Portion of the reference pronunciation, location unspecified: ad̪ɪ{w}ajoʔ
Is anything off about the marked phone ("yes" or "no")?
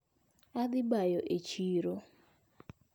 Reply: yes